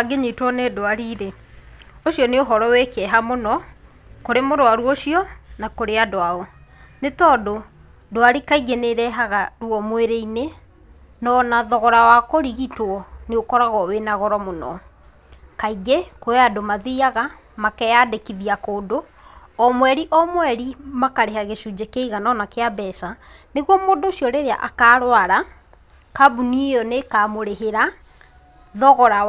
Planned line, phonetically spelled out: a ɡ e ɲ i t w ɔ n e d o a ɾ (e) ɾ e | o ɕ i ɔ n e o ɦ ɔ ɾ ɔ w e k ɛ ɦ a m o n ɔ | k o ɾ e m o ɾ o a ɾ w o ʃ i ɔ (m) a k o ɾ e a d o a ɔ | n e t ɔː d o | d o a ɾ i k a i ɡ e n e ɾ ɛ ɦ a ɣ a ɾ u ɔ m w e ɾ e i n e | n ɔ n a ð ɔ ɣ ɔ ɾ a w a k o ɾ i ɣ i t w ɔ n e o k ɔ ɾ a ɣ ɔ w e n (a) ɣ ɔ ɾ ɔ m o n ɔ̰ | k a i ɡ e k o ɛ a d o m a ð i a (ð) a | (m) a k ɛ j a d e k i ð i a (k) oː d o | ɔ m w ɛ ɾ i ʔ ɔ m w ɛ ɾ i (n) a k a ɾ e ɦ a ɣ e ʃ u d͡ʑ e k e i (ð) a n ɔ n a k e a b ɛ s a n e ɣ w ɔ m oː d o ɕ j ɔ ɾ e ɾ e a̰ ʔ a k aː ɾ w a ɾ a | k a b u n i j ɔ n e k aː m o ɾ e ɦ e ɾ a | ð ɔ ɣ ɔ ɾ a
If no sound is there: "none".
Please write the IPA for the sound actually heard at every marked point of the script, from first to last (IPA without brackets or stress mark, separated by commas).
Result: i, n, a, ɣ, m, k, m, ɣ